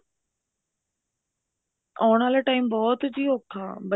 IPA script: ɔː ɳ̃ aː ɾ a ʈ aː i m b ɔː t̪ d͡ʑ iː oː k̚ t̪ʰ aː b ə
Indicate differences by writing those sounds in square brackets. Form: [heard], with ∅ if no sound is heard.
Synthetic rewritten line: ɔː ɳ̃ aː [l] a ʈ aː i m b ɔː t̪ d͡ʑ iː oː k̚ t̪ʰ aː b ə